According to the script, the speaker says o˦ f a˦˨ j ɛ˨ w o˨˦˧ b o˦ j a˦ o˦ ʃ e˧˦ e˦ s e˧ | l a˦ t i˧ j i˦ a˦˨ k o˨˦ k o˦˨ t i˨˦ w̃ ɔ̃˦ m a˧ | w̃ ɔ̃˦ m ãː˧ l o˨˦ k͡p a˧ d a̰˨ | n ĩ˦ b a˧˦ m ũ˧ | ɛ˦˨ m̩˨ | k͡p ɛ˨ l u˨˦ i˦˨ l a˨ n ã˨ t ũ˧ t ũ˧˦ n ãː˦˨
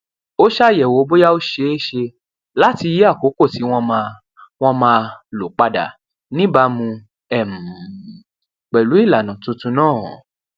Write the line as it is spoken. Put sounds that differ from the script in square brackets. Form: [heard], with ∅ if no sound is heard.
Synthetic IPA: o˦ [ʃ] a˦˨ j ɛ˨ w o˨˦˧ b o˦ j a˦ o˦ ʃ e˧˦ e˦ [ʃ] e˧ | l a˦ t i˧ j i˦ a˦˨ k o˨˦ k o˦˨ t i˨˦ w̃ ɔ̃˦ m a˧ | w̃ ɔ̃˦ m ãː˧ l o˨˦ k͡p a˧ d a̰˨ | n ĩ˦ b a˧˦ m ũ˧ | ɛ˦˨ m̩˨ | k͡p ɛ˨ l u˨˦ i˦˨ l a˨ n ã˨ t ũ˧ t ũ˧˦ n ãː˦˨